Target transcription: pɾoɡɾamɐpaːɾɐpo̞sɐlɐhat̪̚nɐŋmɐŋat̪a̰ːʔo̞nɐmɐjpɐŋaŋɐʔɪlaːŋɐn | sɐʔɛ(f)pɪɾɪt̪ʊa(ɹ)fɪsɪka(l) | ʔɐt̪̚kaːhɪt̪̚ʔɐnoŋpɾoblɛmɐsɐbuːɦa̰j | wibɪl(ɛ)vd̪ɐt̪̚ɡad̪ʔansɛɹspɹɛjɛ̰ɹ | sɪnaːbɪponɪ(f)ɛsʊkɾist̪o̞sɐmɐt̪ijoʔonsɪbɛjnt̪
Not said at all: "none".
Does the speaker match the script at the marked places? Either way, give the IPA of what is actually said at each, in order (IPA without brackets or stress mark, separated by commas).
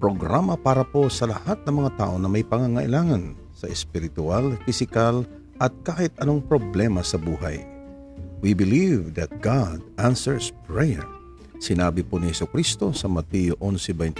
s, l, l, i, h